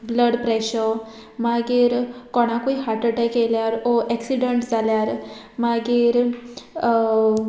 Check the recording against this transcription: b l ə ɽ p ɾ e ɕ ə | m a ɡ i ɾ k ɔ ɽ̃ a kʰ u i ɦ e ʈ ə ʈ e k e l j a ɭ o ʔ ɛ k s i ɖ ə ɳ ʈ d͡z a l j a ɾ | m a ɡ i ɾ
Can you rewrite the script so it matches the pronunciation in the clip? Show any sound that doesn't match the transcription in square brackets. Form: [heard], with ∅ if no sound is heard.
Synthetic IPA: b l ə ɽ p ɾ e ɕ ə | m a ɡ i ɾ k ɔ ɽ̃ a [k] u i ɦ [a] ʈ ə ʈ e k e l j a [ɾ] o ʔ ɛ k s i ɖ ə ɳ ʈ d͡z a l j a ɾ | m a ɡ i ɾ